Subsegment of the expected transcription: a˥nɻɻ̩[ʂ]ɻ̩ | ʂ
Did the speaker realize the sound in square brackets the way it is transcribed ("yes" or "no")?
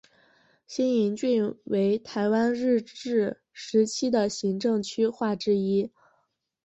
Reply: no